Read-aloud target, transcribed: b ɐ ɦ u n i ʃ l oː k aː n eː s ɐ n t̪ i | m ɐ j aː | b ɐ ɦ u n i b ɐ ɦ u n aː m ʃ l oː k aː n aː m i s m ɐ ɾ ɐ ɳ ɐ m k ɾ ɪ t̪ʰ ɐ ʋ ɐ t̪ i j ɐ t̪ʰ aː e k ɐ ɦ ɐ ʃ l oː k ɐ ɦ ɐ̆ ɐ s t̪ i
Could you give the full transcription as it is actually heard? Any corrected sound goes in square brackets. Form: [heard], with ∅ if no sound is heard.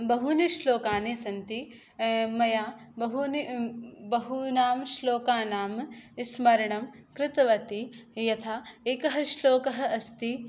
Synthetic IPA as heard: b ɐ ɦ u n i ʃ l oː k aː n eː s ɐ n t̪ i | m ɐ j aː | b ɐ ɦ u n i b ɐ ɦ u n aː m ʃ l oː k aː n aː m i s m ɐ ɾ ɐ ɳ ɐ m k ɾ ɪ [t̪] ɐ ʋ ɐ t̪ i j ɐ t̪ʰ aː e k ɐ ɦ ɐ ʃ l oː k ɐ ɦ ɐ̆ ɐ s t̪ i